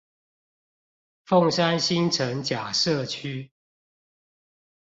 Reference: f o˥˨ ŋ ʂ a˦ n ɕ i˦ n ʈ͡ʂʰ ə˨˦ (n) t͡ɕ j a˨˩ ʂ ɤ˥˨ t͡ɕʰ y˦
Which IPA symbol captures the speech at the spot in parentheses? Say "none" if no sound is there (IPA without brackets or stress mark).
ŋ